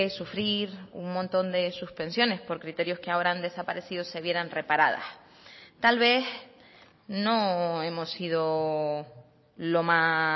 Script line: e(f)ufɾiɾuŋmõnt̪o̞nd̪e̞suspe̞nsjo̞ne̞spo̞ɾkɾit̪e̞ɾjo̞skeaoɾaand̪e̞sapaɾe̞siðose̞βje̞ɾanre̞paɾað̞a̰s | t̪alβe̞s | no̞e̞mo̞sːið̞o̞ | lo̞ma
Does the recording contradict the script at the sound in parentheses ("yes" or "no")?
yes